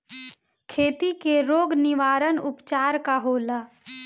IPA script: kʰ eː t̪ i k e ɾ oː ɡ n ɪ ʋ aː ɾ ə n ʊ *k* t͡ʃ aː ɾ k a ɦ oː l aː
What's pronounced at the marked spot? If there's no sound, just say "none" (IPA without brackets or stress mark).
p